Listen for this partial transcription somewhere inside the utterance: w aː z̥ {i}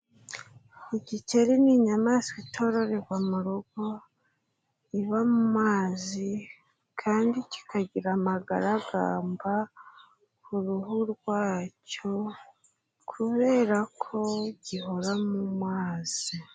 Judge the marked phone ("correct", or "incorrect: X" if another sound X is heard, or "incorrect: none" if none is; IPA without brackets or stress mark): correct